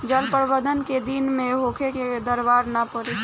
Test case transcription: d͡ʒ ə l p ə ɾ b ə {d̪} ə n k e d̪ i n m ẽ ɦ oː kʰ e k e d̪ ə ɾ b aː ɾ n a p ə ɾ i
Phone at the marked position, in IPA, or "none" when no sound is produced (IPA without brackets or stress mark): d̪